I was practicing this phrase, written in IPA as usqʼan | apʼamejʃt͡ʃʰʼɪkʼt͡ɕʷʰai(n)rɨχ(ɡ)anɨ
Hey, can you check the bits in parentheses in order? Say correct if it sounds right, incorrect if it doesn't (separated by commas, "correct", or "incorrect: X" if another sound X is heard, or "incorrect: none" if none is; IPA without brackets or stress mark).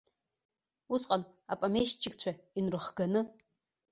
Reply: correct, correct